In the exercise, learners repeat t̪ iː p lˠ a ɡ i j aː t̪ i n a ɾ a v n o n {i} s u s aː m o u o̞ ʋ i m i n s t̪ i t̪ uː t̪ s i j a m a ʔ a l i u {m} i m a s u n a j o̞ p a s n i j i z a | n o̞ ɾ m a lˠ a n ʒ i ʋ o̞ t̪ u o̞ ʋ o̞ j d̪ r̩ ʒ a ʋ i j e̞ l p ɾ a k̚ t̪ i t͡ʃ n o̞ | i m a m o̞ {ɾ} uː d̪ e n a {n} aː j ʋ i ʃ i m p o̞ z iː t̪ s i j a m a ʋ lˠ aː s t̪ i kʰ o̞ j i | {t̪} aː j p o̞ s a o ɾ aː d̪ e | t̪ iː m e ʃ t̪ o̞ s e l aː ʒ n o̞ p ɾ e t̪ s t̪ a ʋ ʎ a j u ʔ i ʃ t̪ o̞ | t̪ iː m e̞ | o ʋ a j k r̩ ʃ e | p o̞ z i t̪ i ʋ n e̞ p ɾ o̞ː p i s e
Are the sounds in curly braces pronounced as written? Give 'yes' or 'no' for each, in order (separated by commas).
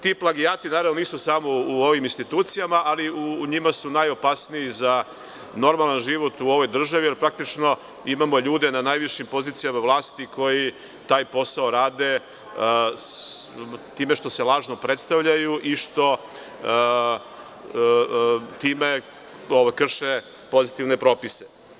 no, no, no, yes, yes